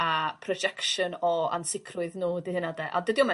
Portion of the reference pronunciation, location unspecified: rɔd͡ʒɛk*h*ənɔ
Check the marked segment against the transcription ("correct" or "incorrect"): incorrect